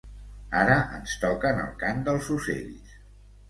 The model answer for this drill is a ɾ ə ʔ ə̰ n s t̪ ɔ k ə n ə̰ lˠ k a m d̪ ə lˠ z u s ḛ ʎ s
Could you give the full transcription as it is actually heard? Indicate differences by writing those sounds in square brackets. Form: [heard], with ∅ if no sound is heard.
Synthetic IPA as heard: a ɾ ə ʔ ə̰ n s t̪ ɔ k ə n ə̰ lˠ k a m d̪ ə lˠ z u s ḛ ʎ s

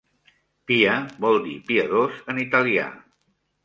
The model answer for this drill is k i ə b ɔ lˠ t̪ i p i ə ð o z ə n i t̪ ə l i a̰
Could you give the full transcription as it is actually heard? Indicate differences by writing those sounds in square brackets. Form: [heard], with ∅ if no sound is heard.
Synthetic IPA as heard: [p] i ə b ɔ lˠ [d̪] i p i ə ð o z ə n i t̪ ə l i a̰

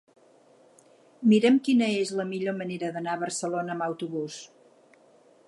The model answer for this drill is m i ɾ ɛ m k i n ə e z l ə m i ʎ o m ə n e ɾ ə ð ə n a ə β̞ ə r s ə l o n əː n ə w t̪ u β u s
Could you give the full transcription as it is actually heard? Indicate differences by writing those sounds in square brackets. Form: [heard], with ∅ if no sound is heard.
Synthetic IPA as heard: m i ɾ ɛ m k i n ə e z l ə m i ʎ o m ə n e ɾ ə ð ə n a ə β̞ ə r s ə l o n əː [m] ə w t̪ u β u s

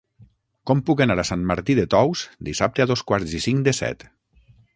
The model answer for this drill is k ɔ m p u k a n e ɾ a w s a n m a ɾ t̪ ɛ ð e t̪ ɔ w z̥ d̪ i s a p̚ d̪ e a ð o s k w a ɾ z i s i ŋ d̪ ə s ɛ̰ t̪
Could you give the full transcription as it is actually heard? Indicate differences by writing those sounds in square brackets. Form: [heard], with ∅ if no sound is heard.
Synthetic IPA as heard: k ɔ m p u k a n [a] ɾ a [∅] s a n m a ɾ t̪ [i] ð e t̪ ɔ w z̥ d̪ i s a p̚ [t̪] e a ð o s k w a ɾ z i s i ŋ d̪ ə s ɛ̰ t̪

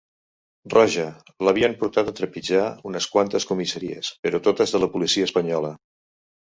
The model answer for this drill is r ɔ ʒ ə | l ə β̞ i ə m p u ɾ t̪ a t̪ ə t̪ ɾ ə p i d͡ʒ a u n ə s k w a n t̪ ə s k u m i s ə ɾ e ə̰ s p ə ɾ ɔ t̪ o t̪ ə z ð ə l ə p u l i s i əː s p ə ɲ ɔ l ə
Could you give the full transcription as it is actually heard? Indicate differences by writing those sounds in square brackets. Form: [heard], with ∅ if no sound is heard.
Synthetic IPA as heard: r ɔ ʒ ə | l ə β̞ i ə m p u ɾ t̪ a t̪ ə t̪ ɾ ə p i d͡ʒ a u n ə s k w a n t̪ ə s k u m i s ə ɾ [i] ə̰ s p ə ɾ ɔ t̪ o t̪ ə z ð ə l ə p u l i s i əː s p ə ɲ ɔ l ə

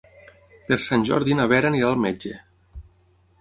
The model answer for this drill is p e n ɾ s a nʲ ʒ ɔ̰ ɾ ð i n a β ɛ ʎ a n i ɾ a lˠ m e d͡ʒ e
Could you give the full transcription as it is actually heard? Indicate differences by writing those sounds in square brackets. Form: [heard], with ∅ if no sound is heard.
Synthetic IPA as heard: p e [∅] ɾ s a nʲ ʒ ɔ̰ ɾ ð i n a β ɛ [ɾ] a n i ɾ a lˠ m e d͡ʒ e

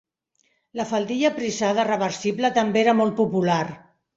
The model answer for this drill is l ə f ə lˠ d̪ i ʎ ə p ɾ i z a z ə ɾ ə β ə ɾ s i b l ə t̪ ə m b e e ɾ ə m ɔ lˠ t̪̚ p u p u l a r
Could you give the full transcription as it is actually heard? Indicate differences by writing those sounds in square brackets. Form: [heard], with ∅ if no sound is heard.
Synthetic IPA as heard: l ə f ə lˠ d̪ i ʎ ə p ɾ i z a [ð] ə [r] ə β ə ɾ s i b l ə t̪ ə m b e e ɾ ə m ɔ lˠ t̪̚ p u p u l a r

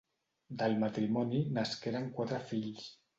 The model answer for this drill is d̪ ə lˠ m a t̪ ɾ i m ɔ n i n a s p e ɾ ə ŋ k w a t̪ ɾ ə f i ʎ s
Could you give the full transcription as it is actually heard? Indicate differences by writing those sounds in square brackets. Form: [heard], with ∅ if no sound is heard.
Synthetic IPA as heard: d̪ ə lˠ m a t̪ ɾ i m ɔ n i n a s [k] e ɾ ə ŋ k w a t̪ ɾ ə f i ʎ s

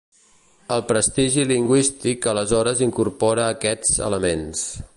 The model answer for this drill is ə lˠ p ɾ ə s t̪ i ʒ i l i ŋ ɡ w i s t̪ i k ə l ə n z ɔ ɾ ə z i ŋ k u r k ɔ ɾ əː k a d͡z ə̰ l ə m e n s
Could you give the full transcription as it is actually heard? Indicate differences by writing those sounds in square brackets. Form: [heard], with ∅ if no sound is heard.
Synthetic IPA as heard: ə lˠ p ɾ ə s t̪ i ʒ i l i ŋ ɡ w i s t̪ i k ə l ə [∅] z ɔ ɾ ə z i ŋ k u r [p] ɔ ɾ əː k [ɛ] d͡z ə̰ l ə m e n s

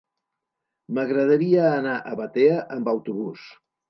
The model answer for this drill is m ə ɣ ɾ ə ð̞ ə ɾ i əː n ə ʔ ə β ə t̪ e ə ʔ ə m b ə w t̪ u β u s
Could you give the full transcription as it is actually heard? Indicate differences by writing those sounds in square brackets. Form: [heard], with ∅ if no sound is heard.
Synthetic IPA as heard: m ə ɣ ɾ ə ð̞ ə ɾ i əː n [a] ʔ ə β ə t̪ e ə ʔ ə m b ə w t̪ u β u s

